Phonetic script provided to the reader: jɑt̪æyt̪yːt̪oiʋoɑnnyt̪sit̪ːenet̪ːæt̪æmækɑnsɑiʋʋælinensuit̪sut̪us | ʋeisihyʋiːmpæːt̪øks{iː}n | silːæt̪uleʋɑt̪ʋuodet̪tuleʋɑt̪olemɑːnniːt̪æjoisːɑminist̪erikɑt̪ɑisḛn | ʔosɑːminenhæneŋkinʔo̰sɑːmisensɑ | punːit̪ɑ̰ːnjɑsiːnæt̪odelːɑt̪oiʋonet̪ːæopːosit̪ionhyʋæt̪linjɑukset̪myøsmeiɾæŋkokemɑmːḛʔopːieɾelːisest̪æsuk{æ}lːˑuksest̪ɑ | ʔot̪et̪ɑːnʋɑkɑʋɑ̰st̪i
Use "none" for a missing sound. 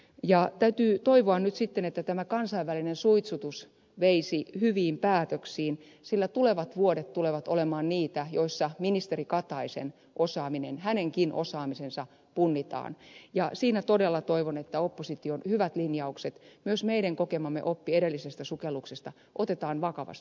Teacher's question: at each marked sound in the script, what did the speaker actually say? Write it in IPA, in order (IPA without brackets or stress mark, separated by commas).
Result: iː, e